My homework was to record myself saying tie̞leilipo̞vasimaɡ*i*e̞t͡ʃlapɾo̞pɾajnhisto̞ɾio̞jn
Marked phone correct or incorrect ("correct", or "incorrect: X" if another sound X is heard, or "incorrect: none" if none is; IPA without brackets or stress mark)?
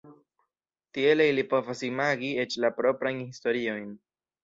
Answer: correct